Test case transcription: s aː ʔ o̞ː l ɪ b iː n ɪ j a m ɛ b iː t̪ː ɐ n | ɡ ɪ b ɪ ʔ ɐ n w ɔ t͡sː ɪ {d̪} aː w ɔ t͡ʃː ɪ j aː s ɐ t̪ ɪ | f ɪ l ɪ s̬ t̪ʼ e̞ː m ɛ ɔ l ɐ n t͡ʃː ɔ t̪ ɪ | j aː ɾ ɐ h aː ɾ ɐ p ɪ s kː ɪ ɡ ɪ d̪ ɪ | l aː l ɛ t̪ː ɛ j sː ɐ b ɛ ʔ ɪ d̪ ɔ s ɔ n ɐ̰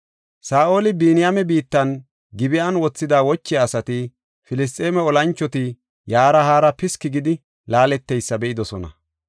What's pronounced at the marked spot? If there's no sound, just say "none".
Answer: d̪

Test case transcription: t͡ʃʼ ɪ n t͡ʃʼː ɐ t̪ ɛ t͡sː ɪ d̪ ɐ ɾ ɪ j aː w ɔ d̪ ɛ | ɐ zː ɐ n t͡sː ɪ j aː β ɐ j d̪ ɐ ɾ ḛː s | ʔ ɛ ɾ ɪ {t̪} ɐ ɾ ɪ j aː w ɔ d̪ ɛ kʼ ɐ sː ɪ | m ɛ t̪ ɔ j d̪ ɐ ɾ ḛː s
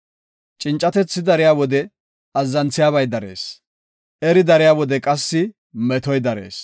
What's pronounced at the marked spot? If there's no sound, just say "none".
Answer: d̪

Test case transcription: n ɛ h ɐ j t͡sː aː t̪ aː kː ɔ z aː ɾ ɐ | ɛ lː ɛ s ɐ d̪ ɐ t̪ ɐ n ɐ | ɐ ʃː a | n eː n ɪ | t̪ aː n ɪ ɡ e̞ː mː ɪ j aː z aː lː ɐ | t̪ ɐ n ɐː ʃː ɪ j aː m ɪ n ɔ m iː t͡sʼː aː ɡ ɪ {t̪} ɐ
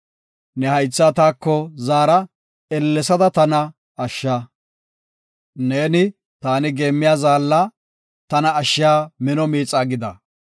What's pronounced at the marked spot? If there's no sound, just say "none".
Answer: d̪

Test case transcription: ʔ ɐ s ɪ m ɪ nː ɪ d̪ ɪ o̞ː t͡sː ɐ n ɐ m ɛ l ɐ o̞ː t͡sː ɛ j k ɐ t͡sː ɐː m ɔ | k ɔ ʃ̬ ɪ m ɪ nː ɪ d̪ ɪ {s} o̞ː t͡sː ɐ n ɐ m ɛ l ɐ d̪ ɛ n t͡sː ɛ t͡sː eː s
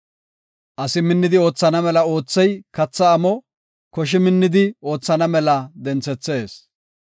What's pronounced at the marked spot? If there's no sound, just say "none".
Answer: none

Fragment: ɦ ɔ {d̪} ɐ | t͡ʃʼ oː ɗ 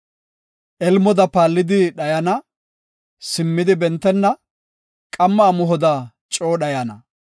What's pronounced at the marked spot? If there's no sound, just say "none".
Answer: d̪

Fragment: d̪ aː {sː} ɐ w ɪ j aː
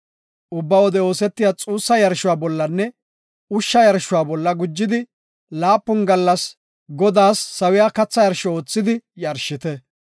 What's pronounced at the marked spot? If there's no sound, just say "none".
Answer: sː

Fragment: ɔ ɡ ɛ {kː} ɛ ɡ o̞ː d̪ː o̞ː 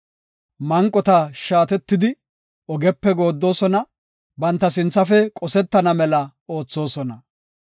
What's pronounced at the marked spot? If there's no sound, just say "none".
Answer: pː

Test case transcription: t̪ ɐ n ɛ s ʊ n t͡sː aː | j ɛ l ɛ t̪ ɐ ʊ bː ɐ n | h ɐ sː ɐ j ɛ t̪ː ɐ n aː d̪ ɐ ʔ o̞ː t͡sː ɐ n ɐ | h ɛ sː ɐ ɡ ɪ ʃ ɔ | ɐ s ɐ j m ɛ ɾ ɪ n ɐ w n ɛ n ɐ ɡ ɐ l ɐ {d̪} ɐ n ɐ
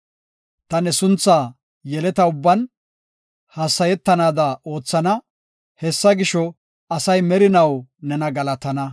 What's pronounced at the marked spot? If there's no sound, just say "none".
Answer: t̪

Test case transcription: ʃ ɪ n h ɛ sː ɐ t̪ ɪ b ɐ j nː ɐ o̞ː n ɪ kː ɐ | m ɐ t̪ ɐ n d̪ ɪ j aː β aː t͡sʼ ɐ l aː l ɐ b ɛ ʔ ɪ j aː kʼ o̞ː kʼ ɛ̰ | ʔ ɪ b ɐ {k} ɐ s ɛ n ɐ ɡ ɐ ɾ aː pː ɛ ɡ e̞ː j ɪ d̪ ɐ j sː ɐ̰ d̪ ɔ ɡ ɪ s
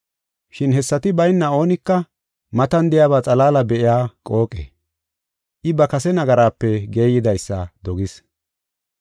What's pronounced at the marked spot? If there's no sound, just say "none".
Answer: k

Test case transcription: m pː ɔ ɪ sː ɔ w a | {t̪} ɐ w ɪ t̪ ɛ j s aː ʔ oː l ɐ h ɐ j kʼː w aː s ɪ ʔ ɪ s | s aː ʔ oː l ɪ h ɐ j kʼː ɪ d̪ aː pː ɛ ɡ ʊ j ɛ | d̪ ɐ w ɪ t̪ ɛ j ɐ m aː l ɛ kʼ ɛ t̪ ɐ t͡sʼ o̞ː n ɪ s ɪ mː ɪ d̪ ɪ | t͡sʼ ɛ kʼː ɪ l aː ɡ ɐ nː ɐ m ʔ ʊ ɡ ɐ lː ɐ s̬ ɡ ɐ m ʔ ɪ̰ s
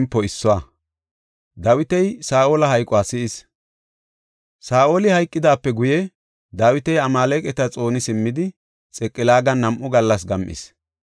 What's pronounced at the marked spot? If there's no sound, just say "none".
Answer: d̪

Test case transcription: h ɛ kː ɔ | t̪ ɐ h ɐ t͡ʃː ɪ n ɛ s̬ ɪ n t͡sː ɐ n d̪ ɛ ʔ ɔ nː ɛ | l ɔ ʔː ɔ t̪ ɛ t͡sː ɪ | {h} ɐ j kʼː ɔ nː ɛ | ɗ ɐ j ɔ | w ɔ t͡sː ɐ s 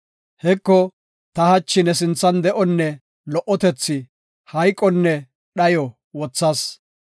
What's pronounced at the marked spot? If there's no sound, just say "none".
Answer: h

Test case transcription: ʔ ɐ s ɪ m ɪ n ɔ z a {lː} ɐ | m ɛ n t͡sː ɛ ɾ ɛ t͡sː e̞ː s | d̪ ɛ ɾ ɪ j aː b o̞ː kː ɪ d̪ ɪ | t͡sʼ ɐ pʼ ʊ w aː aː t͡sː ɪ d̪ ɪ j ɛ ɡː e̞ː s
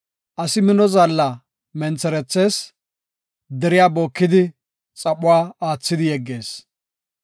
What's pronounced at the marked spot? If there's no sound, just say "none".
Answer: lː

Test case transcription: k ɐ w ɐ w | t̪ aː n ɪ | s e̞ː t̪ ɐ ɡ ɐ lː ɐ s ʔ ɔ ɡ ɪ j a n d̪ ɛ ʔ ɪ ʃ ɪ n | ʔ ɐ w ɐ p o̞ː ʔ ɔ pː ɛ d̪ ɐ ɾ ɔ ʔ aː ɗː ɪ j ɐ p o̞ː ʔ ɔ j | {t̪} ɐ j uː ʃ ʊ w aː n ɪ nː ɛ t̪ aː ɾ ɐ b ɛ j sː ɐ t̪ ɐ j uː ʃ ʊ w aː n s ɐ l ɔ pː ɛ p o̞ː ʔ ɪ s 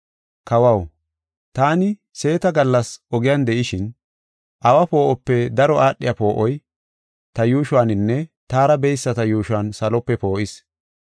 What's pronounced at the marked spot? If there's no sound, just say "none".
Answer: t̪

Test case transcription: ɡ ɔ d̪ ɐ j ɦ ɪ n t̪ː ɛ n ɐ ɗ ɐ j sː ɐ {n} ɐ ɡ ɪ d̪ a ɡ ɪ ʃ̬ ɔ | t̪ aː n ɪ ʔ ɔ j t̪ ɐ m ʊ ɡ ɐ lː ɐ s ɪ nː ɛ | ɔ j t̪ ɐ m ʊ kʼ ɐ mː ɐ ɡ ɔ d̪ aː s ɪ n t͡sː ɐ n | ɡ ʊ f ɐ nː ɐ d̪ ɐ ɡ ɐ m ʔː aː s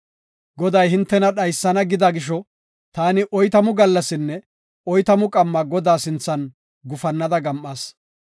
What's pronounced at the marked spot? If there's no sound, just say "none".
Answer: n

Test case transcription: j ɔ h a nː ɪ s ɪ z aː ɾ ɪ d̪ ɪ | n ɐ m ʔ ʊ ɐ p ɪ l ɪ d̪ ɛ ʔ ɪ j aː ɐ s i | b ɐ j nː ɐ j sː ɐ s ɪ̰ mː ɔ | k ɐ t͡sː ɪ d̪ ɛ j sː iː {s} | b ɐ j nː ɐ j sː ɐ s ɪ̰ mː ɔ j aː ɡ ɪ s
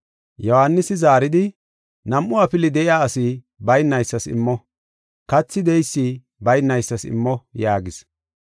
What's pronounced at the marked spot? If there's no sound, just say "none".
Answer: none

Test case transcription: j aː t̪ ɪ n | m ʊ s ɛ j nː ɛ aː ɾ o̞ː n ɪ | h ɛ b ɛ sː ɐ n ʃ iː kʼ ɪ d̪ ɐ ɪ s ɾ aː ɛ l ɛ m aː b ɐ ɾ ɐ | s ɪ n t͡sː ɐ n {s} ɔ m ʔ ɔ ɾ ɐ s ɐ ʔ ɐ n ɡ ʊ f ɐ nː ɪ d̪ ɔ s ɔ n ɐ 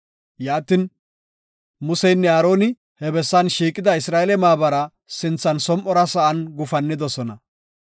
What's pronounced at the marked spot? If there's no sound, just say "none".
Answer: s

